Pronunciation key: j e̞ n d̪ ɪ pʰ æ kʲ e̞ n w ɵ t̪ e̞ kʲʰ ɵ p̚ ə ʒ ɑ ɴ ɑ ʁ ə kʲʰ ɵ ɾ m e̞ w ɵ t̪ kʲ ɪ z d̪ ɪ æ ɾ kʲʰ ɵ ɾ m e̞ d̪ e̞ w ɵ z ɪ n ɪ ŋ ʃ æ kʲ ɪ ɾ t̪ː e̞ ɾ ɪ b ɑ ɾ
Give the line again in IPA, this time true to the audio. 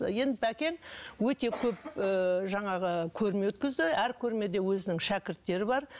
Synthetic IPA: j e̞ n d̪ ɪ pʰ æ kʲ e̞ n w ɵ t̪ e̞ kʲʰ ɵ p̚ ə ʒ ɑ ɴ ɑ ʁ ə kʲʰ ɵ ɾ m e̞ w ɵ t̪ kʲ ɪ z d̪ ɪ æ ɾ kʲʰ ɵ ɾ m e̞ d̪ e̞ w ɵ z ɪ n ɪ ŋ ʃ æ kʲ ɪ ɾ t̪ː e̞ ɾ ɪ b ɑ ɾ

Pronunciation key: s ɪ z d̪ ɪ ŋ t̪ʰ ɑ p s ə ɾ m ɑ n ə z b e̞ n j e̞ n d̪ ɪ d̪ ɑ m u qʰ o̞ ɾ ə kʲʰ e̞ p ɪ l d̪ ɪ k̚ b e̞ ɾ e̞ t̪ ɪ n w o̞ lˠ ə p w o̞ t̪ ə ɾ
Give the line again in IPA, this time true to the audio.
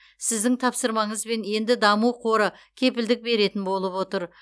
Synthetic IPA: s ɪ z d̪ ɪ ŋ t̪ʰ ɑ p s ə ɾ m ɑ ɴ ə z b e̞ n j e̞ n d̪ ɪ d̪ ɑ m u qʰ o̞ ɾ ə kʲʰ e̞ p ɪ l d̪ ɪ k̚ b e̞ ɾ e̞ t̪ ɪ n b o̞ lˠ ə p w o̞ t̪ ə ɾ

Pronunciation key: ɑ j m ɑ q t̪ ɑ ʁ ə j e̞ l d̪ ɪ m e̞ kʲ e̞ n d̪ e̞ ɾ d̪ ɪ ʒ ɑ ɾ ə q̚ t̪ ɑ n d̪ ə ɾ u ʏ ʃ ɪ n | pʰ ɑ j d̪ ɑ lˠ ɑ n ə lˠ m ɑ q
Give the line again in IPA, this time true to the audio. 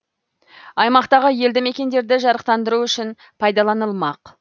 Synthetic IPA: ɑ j m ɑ q t̪ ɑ ʁ ə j e̞ l d̪ ɪ m e̞ kʲ e̞ n d̪ e̞ ɾ d̪ ɪ ʒ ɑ ɾ ə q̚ t̪ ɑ n d̪ ə ɾ u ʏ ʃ ɪ n | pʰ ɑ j d̪ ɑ lˠ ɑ n ə lˠ m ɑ q

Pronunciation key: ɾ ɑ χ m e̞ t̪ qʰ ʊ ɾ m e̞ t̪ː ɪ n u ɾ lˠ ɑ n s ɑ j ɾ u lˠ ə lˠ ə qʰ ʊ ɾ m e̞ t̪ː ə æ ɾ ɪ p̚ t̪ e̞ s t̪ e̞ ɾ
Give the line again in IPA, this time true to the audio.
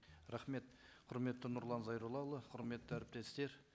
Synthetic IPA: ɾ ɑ χ m e̞ t̪ qʰ ʊ ɾ m e̞ t̪ː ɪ n ʊ ɾ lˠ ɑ n z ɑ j ɾ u lˠ ɑ lˠ ə qʰ ʊ ɾ m e̞ t̪ː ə æ ɾ ɪ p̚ t̪ e̞ s t̪ e̞ ɾ

